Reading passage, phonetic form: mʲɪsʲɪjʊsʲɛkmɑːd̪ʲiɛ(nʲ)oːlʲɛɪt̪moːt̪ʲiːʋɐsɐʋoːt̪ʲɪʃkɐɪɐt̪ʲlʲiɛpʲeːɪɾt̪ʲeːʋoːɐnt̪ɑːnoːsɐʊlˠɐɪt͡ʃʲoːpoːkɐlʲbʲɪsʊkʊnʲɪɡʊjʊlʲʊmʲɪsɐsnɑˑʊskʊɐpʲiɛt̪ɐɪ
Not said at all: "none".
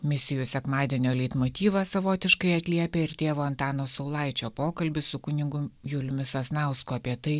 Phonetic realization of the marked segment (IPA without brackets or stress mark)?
nʲ